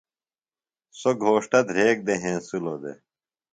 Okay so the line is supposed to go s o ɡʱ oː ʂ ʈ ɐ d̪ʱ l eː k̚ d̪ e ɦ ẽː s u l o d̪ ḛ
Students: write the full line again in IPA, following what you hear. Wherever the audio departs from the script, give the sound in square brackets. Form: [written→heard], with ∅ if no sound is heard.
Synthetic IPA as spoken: s o ɡʱ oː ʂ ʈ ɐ d̪ʱ [l→ɾ] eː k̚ d̪ e ɦ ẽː s u l o d̪ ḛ